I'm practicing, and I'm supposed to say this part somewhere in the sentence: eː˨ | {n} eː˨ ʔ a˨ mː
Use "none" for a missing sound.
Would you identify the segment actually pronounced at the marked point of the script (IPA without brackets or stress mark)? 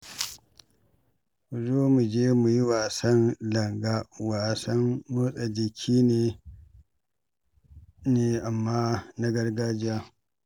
n